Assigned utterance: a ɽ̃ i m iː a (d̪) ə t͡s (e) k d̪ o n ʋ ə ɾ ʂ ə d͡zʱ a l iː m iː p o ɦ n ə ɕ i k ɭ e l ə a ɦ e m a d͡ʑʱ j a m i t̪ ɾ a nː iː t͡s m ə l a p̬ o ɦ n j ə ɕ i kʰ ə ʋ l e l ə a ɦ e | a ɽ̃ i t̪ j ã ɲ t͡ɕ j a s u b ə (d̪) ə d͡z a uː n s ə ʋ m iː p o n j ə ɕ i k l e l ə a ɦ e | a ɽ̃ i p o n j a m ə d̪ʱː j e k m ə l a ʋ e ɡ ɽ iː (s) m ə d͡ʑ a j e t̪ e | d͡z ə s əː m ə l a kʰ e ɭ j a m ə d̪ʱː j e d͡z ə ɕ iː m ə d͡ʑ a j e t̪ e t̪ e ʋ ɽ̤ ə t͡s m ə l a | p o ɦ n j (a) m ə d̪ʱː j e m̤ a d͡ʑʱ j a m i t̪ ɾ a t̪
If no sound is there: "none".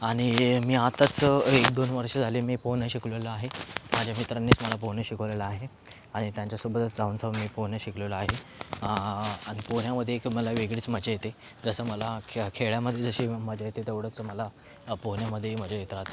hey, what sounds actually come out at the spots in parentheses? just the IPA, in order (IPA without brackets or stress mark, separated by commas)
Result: t̪, e, t̪, t͡s, a